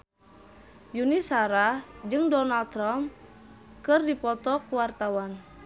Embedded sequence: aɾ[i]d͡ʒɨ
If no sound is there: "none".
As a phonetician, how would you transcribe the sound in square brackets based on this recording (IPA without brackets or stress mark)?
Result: a